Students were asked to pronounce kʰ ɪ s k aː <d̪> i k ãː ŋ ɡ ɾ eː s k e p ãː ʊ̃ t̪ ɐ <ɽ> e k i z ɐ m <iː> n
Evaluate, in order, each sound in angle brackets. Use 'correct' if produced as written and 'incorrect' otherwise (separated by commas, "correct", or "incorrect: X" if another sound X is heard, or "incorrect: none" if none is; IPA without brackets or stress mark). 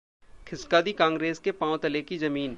correct, incorrect: l, correct